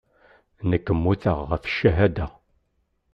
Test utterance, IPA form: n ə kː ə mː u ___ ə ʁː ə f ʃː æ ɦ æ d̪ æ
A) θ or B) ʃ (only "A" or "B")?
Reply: A